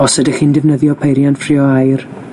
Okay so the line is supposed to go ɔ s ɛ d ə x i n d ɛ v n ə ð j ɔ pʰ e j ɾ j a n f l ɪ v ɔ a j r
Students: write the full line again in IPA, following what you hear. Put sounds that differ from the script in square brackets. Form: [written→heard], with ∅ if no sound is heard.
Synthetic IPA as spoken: ɔ s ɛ d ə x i n d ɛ v n ə ð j ɔ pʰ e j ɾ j a n f [l→r] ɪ [v→∅] ɔ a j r

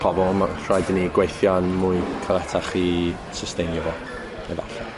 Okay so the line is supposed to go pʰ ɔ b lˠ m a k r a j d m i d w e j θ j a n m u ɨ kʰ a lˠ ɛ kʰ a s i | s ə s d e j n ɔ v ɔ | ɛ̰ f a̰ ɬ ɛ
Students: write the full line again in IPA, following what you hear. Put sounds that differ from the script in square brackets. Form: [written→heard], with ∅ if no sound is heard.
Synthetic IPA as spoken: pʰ ɔ b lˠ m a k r a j d [m→n] i [d→ɡ] w e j θ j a n m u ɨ kʰ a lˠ ɛ [kʰ→tʰ] a [s→χ] i | s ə s [d→t] e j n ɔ v ɔ | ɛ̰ [f→v] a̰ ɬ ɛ

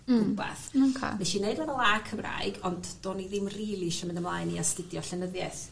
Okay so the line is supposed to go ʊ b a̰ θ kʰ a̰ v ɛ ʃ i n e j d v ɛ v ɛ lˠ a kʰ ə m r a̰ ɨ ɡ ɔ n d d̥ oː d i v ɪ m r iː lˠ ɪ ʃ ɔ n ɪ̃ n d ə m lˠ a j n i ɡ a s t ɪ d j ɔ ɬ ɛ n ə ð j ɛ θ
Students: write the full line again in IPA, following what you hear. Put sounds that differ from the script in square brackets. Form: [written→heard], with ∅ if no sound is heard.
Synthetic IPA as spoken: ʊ b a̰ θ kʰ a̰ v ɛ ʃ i n e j d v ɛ v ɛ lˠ a kʰ ə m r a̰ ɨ ɡ ɔ n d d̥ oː [d→n] i [v→ð] ɪ m r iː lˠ [ɪ→i] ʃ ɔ [n→m] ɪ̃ n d ə m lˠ a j n i [ɡ→∅] a s t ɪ d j ɔ ɬ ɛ n ə ð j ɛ θ

